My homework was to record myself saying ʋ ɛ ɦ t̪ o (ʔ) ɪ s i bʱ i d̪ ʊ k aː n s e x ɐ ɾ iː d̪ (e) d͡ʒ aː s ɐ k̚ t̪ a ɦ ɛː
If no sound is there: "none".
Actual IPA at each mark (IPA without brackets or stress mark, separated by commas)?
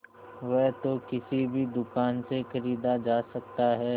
k, a